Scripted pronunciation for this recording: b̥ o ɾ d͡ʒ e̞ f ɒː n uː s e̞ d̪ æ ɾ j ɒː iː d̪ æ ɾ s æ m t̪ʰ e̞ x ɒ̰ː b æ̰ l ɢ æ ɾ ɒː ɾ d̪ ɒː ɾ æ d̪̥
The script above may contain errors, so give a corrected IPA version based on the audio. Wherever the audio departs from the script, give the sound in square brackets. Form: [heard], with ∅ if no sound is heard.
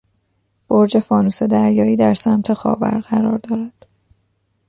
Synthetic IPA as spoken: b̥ o ɾ d͡ʒ e̞ f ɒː n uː s e̞ d̪ æ ɾ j ɒː iː d̪ æ ɾ s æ m t̪ʰ e̞ x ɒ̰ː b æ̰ [ɾ] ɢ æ ɾ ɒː ɾ d̪ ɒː ɾ æ d̪̥